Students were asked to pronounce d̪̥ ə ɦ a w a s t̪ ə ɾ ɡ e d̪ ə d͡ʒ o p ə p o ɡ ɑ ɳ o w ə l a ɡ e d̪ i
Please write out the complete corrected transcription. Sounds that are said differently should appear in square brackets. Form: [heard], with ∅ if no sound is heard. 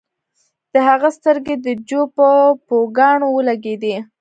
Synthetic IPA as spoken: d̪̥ ə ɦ a [ɣ] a s t̪ ə ɾ ɡ e d̪ ə d͡ʒ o p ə p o ɡ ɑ ɳ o w ə l a ɡ e d̪ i